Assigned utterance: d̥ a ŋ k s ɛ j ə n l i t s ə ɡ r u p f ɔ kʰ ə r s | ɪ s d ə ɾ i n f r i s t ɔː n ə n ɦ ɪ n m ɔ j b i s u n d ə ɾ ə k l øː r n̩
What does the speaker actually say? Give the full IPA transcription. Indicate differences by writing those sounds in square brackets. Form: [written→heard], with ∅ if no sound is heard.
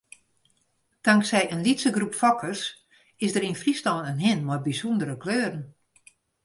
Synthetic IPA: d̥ a ŋ k s ɛ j ə n l i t s ə ɡ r u p f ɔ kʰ ə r s | ɪ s d ə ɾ i n f r i s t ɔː n ə n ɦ ɪ n m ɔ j b i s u n d ə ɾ ə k l øː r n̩